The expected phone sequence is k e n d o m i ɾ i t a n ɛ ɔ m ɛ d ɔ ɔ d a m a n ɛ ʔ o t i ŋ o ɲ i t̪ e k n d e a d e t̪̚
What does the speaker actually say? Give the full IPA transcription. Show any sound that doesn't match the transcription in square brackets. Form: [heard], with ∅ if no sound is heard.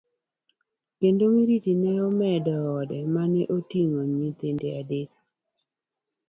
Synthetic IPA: k e n d o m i ɾ i t [i] n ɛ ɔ m ɛ d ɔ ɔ d [ɛ] m a n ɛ ʔ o t i ŋ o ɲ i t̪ e [∅] n d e a d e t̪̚